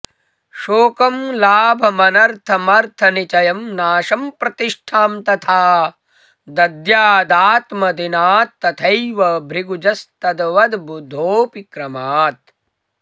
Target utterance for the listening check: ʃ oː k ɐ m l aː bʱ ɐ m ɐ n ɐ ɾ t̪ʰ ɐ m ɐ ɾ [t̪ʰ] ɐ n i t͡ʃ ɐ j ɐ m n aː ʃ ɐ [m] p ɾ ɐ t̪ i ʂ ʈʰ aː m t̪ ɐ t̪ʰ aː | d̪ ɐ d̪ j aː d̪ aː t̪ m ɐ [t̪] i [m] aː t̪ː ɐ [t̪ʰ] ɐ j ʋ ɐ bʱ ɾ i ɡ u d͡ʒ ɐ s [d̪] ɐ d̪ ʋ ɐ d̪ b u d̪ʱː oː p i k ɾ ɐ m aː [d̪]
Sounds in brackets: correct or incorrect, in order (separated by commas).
correct, correct, incorrect, incorrect, correct, incorrect, incorrect